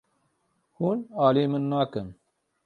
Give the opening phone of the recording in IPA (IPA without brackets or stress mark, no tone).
h